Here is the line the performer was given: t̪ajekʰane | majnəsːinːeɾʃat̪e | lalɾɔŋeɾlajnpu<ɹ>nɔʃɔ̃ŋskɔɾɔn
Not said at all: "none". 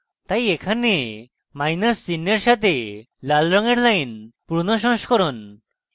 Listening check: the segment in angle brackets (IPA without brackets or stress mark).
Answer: ɾ